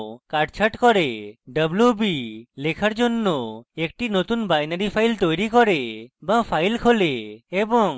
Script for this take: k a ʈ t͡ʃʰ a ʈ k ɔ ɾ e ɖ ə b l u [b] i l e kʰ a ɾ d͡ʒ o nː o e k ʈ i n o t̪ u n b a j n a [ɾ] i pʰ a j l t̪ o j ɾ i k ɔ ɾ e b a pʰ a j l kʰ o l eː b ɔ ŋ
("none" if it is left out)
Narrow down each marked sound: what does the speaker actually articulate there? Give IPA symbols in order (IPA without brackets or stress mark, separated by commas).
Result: b, ɾ